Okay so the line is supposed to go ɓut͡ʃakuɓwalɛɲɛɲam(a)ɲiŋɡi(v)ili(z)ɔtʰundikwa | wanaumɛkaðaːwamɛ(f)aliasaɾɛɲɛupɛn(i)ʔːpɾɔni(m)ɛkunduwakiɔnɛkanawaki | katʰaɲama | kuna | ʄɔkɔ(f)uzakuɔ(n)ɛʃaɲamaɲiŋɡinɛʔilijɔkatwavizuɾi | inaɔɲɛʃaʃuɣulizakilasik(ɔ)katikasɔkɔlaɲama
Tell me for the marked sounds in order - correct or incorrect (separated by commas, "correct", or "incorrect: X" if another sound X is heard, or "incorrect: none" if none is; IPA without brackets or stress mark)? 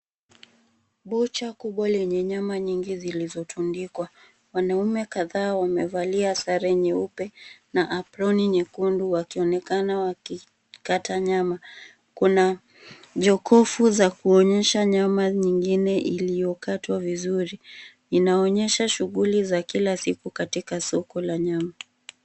correct, incorrect: z, correct, incorrect: v, incorrect: a, incorrect: ɲ, correct, incorrect: ɲ, incorrect: u